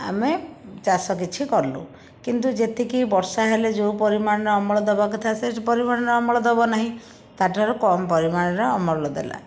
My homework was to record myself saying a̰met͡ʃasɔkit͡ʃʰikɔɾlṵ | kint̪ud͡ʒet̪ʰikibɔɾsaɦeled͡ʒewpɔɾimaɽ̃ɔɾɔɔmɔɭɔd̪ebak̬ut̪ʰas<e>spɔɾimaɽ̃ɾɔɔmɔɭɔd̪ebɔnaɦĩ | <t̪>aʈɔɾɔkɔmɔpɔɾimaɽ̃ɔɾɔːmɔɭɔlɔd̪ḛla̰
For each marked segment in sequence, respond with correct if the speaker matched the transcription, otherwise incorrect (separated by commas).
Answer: correct, correct